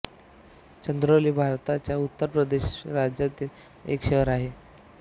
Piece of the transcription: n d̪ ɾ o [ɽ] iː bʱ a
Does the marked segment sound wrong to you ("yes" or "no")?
yes